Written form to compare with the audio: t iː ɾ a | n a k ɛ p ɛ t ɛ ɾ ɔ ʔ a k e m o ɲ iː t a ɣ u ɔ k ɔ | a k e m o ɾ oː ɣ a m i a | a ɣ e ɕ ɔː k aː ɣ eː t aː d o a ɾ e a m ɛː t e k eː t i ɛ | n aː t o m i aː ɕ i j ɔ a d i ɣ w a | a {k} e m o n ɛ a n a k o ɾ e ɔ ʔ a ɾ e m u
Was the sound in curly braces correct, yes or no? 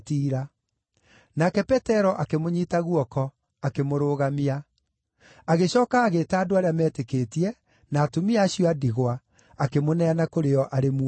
yes